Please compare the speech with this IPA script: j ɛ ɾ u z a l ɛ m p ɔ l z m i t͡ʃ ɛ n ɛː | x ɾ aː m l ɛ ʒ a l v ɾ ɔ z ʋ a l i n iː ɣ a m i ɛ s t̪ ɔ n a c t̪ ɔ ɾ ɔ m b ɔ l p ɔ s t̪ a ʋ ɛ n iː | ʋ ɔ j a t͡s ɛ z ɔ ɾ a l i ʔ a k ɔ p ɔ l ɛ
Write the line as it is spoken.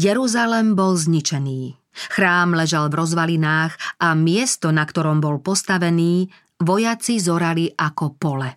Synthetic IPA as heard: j ɛ ɾ u z a l ɛ m b ɔ l z ɲ i t͡ʃ ɛ n iː | x ɾ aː m l ɛ ʒ a l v ɾ ɔ z ʋ a l i n aː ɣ a m ɪ ɛ s t̪ ɔ n a k t̪ ɔ ɾ ɔ m b ɔ l p ɔ s t̪ a ʋ ɛ n iː | ʋ ɔ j a t͡s i z ɔ ɾ a l i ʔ a k ɔ p ɔ l ɛ